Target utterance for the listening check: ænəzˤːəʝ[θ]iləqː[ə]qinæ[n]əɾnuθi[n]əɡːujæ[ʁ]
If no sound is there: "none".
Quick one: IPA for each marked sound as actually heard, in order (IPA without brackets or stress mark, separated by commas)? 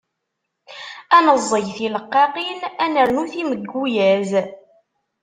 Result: θ, ɑ, n, m, z